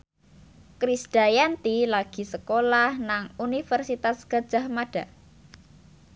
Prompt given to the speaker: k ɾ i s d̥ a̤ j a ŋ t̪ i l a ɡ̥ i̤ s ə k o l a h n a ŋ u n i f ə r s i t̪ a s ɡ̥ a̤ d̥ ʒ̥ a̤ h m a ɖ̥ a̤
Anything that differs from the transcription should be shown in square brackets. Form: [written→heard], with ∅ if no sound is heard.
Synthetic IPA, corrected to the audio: k ɾ i s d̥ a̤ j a [ŋ→n] t̪ i l a ɡ̥ i̤ s ə k o l a h n a ŋ u n i f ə r s i t̪ a s ɡ̥ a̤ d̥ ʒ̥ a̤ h m a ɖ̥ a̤